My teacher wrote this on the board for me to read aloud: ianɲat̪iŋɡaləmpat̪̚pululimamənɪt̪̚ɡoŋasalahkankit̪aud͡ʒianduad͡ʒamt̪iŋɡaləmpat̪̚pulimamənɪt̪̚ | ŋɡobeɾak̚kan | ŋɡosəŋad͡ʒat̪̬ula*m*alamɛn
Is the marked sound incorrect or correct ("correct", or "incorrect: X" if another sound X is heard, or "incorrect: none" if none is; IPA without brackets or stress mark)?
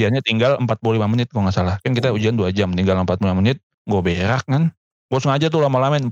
correct